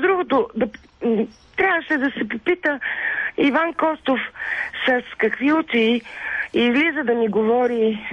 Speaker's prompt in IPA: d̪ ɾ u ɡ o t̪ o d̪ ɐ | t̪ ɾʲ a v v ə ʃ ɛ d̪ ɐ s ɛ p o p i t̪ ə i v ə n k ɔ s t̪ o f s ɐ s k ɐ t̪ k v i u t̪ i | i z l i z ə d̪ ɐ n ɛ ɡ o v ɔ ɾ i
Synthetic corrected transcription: d̪ ɾ u ɡ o t̪ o d̪ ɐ | t̪ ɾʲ a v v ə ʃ ɛ d̪ ɐ s ɛ p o p i t̪ ə i v a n k ɔ s t̪ o f s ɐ s k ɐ k v i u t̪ i | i z l i z ə d̪ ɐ n i ɡ o v ɔ ɾ i